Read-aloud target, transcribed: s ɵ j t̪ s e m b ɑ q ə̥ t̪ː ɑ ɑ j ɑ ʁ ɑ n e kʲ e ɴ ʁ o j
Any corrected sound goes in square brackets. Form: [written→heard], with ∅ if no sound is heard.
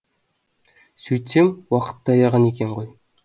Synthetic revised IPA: s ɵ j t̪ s e m [b→w] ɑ q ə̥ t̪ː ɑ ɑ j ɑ ʁ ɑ n e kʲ e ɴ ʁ o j